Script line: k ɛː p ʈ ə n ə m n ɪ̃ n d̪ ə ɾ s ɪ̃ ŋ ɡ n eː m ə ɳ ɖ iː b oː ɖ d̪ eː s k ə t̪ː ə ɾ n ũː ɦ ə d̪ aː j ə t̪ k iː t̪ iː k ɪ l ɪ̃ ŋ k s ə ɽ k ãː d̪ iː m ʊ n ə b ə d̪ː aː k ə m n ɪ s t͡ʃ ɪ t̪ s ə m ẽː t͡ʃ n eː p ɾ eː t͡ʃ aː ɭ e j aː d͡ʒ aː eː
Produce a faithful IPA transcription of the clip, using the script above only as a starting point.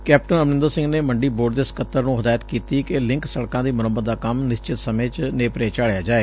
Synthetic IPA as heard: k ɛː p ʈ ə n ə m n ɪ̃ n d̪ ə ɾ s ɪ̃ ŋ ɡ n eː m ə ɳ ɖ iː b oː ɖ d̪ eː s k ə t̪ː ə ɾ n ũː ɦ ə d̪ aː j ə t̪ k iː t̪ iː k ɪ l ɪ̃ ŋ k s ə ɽ k ãː d̪ iː m ʊ n ə b ə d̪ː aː k ə m n ɪ s t͡ʃ ɪ t̪ s ə m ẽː t͡ʃ n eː p ɾ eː t͡ʃ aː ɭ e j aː d͡ʒ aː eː